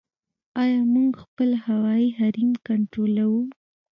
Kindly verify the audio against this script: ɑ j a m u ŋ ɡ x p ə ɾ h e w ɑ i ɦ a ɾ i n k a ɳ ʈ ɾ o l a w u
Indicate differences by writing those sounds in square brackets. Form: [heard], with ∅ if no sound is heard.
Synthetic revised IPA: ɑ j [ɑ] m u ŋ ɡ x p ə [l] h [a] w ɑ i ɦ a ɾ i [m] k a ɳ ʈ ɾ o l a w u